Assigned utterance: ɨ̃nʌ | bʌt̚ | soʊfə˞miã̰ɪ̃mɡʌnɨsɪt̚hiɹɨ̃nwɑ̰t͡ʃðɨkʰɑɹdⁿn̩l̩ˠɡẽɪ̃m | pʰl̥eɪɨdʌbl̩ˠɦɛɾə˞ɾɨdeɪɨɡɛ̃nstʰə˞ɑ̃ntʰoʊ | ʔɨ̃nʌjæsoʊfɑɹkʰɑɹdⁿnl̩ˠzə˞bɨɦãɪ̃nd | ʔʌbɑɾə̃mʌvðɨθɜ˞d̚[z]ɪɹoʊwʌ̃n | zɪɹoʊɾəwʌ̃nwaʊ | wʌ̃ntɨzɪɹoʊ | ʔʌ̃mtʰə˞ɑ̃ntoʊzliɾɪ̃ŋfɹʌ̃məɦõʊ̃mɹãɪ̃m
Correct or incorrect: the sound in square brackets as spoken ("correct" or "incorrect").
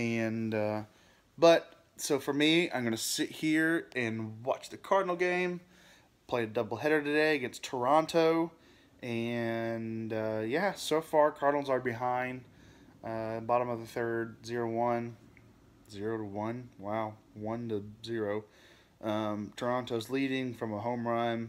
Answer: correct